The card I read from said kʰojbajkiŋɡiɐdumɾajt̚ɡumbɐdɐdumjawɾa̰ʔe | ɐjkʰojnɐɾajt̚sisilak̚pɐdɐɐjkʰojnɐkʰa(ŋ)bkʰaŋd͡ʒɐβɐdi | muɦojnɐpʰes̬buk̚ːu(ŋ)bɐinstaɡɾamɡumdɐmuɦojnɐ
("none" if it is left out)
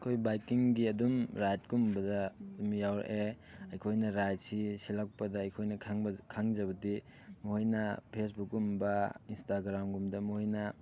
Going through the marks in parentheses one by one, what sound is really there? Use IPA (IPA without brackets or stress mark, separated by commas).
ŋ, m